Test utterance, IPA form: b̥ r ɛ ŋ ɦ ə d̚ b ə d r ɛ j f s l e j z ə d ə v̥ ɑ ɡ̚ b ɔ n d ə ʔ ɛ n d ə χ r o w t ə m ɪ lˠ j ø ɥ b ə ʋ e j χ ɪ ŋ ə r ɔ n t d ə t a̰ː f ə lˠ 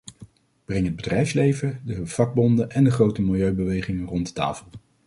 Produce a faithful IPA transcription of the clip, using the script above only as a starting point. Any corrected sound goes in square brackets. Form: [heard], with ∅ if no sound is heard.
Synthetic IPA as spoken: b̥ r ɛ ŋ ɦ ə d̚ b ə d r ɛ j f s l e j [v] ə d ə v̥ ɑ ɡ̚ b ɔ n d ə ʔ ɛ n d ə χ r o w t ə m ɪ lˠ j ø ɥ b ə ʋ e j χ ɪ ŋ ə r ɔ n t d ə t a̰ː f ə lˠ